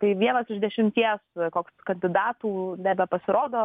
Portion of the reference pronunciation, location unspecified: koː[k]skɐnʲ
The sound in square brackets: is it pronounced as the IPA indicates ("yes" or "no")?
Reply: yes